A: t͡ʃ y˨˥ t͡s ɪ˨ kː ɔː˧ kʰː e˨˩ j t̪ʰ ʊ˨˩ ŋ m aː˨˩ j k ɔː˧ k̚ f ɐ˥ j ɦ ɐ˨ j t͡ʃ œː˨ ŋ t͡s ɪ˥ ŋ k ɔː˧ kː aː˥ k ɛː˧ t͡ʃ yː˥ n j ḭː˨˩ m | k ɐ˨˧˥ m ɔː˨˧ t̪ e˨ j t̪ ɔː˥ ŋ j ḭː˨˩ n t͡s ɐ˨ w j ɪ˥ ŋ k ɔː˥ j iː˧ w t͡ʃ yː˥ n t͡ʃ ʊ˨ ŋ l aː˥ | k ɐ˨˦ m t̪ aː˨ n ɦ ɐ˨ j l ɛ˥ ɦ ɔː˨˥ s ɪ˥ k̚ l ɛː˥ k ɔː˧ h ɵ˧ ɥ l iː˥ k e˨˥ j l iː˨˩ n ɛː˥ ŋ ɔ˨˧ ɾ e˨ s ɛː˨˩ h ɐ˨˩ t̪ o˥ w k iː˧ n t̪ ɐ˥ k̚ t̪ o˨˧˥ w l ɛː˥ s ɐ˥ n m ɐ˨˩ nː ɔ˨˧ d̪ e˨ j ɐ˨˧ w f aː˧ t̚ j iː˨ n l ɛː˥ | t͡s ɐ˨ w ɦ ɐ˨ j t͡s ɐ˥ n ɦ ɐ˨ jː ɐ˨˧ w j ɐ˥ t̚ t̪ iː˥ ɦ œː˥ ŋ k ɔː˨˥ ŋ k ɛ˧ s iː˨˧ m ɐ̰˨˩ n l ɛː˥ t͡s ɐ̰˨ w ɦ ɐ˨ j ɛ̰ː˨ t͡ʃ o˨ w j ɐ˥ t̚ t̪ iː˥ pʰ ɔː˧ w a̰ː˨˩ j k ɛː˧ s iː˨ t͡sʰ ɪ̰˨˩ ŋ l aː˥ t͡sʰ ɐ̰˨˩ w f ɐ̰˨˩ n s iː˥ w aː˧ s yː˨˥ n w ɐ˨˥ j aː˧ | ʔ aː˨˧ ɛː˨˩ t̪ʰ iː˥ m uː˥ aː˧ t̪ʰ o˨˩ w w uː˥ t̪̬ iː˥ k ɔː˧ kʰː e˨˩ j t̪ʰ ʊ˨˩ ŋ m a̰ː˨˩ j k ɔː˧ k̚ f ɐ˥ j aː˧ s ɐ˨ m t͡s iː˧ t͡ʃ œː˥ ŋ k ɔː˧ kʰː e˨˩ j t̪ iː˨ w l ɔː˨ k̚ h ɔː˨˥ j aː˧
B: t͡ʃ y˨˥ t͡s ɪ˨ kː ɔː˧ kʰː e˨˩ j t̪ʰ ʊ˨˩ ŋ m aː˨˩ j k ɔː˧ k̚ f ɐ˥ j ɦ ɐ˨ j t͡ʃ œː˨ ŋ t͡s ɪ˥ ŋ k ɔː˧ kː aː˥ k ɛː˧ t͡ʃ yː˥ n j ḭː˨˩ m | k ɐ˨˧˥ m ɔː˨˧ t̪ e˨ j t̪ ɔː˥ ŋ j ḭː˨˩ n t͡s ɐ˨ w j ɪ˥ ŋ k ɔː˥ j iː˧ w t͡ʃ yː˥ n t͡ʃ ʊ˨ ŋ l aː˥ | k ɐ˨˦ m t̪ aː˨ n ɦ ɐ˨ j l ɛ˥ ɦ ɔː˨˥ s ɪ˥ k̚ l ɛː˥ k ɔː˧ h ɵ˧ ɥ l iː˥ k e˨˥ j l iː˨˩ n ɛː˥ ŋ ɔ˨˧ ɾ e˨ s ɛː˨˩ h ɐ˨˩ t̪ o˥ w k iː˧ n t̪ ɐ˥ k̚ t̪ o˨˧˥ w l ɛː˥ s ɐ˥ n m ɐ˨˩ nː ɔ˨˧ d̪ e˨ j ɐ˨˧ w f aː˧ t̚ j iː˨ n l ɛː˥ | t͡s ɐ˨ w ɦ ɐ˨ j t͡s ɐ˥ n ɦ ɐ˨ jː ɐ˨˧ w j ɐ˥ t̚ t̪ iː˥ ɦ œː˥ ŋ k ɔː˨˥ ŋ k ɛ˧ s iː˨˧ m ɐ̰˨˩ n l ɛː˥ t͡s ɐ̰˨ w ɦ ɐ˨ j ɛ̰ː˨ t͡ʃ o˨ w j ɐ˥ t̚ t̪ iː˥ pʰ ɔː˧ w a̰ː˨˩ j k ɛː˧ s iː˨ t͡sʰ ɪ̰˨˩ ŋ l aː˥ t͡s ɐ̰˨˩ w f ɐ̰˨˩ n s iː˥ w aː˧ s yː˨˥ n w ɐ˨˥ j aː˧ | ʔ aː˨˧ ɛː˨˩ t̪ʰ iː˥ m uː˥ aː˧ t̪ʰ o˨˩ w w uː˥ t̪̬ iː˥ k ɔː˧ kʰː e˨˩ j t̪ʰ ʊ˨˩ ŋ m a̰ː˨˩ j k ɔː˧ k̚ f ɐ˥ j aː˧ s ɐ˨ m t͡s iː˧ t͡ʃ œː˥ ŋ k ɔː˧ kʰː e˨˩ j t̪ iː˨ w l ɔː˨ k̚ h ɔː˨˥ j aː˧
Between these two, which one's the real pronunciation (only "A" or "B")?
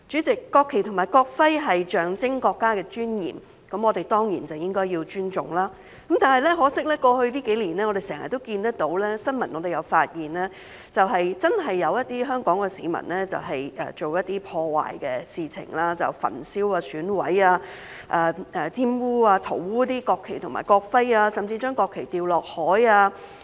B